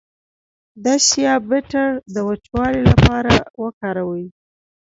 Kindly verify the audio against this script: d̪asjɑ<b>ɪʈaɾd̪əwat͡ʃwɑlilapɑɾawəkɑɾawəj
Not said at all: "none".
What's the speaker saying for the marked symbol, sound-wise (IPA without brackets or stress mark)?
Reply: b